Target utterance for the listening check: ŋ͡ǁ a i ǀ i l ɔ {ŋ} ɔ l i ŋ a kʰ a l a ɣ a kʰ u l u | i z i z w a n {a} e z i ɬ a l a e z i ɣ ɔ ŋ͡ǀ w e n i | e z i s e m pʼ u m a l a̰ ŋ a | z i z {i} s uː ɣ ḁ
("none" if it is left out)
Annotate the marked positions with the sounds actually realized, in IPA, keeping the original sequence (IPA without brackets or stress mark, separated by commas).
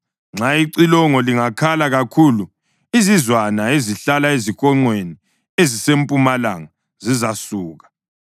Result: ŋ, a, a